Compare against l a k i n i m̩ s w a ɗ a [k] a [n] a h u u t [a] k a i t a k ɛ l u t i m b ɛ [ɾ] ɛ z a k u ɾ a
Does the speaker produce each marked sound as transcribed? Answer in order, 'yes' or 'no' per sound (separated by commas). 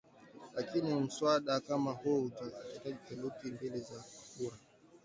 yes, no, yes, no